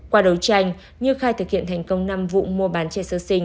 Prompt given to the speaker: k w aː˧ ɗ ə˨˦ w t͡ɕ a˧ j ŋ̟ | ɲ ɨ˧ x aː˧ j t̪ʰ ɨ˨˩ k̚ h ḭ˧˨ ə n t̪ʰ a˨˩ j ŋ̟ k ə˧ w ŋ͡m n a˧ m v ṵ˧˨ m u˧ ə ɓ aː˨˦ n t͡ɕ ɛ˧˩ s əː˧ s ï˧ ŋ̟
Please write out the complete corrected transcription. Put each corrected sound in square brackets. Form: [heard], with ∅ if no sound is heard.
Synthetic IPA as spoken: k w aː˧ ɗ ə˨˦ w t͡ɕ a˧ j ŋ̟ | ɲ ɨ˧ x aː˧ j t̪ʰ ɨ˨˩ k̚ h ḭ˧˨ ə n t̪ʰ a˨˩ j ŋ̟ k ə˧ w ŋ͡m n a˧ m v ṵ˧˨ m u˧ ə ɓ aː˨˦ n t͡ɕ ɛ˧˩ s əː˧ s ï˧ ŋ̟